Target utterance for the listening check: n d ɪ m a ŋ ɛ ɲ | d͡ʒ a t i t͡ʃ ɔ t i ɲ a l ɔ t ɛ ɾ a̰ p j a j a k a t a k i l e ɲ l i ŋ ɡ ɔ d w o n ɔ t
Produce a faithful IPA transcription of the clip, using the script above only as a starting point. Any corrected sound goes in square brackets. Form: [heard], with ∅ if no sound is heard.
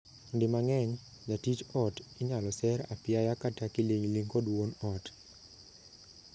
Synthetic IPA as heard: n d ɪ m a ŋ ɛ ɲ | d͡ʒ a t i t͡ʃ ɔ t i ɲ a l ɔ [s] ɛ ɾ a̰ p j a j a k a t a k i l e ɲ l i ŋ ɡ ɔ d w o n ɔ t